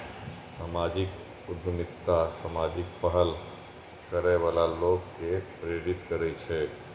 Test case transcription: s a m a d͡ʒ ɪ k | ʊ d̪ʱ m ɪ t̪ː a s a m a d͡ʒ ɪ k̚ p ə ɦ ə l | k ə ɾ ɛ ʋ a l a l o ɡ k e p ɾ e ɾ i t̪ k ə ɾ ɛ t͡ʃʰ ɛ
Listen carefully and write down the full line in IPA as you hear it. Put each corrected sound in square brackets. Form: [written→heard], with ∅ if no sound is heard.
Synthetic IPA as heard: s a m a d͡ʒ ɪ k | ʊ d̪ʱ m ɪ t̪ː a s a m a d͡ʒ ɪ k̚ p ə ɦ ə l | k ə ɾ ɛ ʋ a l a l o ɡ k e p ɾ e ɾ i t̪ k ə ɾ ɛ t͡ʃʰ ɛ